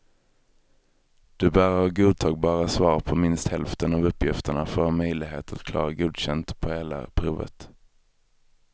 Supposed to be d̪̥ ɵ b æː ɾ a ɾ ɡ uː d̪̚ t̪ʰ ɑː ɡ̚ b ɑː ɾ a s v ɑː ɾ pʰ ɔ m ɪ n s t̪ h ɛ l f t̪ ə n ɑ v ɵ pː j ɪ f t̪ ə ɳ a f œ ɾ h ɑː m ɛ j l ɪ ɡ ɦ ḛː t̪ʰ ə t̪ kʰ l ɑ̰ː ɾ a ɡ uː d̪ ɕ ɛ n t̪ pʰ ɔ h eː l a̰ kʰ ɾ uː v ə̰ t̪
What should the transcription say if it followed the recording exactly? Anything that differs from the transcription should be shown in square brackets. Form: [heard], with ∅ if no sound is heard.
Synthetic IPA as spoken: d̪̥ ɵ b æː ɾ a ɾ ɡ uː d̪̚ t̪ʰ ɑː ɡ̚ b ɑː ɾ a s v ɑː ɾ pʰ ɔ m ɪ n s t̪ h ɛ l f t̪ ə n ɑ v ɵ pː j ɪ f t̪ ə ɳ a f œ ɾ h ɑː m [œ] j l ɪ ɡ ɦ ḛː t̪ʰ [a] t̪ kʰ l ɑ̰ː ɾ a ɡ uː d̪ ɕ ɛ n t̪ pʰ ɔ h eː l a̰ [pʰ] ɾ uː v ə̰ t̪